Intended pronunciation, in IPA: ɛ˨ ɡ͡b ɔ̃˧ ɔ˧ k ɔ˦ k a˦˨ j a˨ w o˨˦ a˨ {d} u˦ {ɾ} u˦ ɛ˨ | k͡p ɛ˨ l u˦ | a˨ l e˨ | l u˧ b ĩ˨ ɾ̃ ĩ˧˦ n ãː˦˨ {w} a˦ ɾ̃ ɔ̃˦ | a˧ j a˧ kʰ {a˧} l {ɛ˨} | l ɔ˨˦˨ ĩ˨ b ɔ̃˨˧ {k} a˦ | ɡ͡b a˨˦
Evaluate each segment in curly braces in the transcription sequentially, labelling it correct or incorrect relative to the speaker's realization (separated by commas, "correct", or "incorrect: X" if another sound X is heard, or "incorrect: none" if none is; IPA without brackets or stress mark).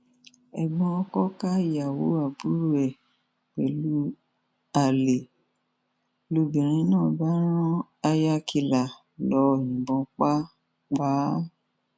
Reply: incorrect: b, correct, incorrect: b, incorrect: i˧, incorrect: a˨, incorrect: k͡p